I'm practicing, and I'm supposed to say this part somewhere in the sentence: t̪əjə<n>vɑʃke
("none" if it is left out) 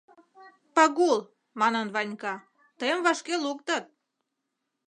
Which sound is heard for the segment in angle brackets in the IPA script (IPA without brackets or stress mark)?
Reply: m